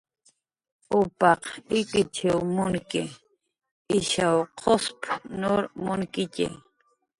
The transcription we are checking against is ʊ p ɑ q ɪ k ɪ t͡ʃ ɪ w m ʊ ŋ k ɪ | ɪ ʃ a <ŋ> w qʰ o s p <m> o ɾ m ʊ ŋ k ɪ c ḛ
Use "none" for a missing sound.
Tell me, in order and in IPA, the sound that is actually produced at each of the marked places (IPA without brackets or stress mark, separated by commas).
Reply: none, n